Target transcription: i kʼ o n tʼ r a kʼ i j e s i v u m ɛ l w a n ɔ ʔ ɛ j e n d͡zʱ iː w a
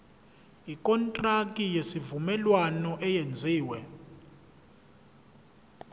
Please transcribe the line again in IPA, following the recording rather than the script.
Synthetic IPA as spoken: i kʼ ɔ n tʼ r a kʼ i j e s i v u m ɛ l w a n ɔ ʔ ɛ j e n d͡zʱ iː w ɛ